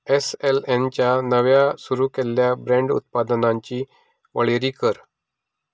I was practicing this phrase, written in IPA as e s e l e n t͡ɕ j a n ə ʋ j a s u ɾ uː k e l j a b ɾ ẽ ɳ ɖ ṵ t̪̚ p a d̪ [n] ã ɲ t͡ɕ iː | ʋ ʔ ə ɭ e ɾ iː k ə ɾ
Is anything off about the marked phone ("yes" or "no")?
no